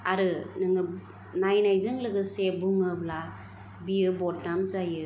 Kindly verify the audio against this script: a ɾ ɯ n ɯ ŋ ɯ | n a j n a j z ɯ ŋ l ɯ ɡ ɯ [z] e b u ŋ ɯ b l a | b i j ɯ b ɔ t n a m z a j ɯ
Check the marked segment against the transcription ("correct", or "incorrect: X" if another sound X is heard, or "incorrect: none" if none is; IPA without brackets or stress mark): incorrect: s